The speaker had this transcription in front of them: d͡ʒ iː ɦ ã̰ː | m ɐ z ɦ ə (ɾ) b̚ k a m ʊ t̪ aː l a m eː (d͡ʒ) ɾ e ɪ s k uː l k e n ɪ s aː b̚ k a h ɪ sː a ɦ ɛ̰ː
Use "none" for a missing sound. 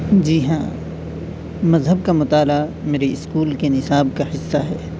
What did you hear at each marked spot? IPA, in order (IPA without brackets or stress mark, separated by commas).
none, none